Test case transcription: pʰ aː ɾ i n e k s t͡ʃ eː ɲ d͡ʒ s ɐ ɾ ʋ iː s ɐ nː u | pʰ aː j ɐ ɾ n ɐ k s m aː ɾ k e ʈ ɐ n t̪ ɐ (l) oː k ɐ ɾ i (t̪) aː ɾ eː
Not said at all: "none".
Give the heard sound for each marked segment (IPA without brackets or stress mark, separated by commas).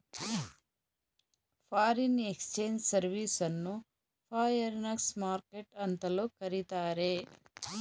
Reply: l, t̪